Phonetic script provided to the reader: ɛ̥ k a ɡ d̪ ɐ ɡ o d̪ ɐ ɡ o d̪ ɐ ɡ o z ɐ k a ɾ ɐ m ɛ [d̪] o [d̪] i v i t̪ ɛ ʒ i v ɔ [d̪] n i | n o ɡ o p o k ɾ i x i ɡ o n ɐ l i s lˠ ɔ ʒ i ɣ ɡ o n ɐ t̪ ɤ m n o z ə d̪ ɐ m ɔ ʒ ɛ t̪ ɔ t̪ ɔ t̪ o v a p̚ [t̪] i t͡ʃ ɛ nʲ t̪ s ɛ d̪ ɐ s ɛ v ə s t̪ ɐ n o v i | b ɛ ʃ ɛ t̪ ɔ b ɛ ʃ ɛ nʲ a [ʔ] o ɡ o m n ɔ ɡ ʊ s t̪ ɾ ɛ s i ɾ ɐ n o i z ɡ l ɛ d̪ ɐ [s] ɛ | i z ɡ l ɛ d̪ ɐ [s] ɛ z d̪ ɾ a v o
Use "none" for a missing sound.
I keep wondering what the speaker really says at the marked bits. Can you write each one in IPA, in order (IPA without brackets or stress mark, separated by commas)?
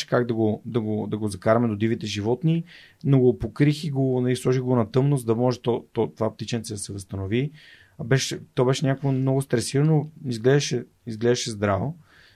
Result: d̪, d̪, t̪, t̪, k, ʃ, ʃ